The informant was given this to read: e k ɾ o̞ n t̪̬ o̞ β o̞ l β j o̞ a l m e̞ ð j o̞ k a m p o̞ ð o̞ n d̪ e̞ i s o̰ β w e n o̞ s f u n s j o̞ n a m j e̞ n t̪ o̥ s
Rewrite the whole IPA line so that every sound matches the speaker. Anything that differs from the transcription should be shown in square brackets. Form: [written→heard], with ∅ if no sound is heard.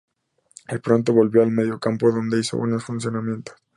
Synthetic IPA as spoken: e [k→p] ɾ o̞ n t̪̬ o̞ β o̞ l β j o̞ a l m e̞ ð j o̞ k a m p o̞ ð o̞ n d̪ e̞ i s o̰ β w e n o̞ s f u n s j o̞ n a m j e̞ n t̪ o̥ s